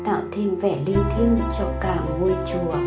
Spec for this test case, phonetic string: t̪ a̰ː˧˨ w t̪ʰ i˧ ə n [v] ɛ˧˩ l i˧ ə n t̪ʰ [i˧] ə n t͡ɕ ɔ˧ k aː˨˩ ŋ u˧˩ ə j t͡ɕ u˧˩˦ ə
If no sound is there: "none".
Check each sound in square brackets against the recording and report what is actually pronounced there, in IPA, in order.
v, i˧

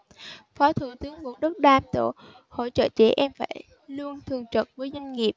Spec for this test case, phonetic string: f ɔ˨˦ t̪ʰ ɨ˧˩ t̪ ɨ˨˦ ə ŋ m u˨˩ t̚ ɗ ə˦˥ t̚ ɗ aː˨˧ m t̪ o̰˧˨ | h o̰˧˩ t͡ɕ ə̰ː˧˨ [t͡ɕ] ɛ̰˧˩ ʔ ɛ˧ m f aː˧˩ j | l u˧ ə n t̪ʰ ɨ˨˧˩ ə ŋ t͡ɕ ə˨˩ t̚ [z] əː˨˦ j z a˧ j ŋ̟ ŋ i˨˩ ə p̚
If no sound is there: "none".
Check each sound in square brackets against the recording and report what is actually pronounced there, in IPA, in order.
t͡ɕ, v

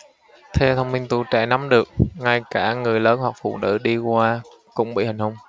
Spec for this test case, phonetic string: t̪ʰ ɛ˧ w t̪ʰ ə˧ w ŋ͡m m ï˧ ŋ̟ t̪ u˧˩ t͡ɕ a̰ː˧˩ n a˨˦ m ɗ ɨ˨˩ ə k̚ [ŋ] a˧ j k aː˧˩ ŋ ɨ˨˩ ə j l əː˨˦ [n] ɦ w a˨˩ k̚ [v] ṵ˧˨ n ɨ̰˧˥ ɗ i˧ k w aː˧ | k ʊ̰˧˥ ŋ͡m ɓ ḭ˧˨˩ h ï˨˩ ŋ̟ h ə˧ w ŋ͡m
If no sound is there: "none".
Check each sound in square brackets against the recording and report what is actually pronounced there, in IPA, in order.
ŋ, n, f

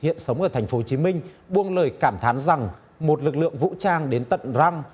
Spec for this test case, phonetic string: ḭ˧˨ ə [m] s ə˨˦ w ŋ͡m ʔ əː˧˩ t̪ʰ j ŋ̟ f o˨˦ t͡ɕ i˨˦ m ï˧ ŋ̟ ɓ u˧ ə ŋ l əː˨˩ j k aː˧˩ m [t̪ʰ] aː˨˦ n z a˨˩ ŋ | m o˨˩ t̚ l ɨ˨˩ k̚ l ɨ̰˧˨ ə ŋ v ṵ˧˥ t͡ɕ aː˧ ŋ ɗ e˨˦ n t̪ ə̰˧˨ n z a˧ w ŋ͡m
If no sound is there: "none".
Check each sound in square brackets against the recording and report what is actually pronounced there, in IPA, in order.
n, t̪ʰ

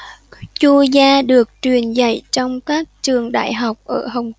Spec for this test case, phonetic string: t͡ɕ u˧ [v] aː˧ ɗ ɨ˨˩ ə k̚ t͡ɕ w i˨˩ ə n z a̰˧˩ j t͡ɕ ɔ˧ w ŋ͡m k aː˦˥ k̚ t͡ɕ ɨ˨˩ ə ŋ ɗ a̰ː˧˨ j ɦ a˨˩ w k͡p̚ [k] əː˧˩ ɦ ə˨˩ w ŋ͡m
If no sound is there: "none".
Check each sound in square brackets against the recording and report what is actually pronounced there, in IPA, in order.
z, ʔ

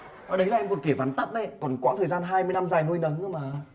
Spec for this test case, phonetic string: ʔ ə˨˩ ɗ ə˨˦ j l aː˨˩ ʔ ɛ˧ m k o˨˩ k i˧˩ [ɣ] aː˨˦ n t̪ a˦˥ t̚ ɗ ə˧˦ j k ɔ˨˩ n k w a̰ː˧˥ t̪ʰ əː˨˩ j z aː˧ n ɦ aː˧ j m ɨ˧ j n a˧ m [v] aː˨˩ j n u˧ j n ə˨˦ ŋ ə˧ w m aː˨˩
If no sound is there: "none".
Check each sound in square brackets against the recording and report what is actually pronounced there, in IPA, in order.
v, z

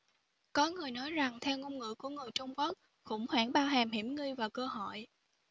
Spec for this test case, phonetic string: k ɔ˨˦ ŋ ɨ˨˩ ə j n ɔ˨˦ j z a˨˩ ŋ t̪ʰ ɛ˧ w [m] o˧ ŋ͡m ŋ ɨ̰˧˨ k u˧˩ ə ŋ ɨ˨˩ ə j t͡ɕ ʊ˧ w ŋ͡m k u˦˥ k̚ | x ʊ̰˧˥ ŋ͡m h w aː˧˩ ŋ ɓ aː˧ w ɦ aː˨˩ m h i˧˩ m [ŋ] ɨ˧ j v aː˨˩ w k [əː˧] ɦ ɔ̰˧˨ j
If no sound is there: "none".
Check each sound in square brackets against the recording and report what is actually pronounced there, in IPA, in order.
ŋ, ŋ, əː˧

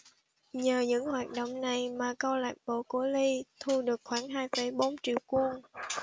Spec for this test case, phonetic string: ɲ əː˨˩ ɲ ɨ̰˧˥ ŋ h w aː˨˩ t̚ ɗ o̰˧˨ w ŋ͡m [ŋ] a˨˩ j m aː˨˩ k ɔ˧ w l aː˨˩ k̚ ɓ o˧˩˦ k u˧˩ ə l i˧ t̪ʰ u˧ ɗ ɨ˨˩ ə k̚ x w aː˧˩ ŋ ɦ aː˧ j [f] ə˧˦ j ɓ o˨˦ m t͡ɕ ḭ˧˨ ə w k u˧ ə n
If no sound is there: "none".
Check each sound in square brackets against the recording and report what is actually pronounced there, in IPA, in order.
n, f

